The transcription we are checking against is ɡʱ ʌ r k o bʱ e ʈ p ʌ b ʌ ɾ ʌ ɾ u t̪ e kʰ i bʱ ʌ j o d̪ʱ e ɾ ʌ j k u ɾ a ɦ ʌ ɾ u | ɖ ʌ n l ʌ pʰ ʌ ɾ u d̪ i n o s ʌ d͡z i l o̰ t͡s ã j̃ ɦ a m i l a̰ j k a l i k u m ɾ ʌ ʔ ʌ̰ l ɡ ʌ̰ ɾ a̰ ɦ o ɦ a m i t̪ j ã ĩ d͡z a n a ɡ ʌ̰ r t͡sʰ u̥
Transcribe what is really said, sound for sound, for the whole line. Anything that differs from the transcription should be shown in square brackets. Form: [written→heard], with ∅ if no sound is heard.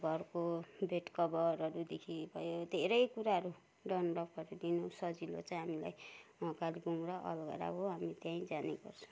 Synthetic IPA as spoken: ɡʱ ʌ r k o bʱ e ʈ [p→k] ʌ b ʌ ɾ ʌ ɾ u [t̪→d̪] e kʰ i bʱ ʌ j o d̪ʱ e ɾ ʌ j k u ɾ a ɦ ʌ ɾ u | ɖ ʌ n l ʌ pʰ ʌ ɾ u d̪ i n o s ʌ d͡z i l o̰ t͡s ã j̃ ɦ a m i l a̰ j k a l i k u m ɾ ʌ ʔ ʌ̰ l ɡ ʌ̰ ɾ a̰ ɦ o ɦ a m i t̪ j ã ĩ d͡z a n [a→e] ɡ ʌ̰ r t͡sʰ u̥